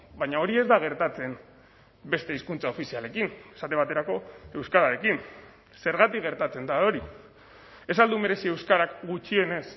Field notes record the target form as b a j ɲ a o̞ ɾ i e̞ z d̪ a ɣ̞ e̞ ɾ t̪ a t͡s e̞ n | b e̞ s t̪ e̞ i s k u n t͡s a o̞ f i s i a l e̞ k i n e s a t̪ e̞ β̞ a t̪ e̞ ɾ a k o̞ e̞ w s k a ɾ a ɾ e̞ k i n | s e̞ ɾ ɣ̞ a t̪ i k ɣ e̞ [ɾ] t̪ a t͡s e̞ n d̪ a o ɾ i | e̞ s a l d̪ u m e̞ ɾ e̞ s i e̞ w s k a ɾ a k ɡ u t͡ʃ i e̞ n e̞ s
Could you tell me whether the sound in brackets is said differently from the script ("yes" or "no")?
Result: no